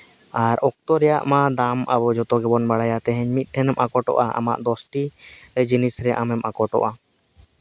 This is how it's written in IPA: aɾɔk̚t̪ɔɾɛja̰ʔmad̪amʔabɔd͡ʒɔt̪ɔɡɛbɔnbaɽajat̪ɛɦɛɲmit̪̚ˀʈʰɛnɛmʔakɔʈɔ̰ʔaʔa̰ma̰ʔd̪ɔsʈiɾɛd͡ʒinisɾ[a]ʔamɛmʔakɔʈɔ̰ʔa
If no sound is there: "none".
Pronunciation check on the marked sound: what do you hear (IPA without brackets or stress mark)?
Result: ɛ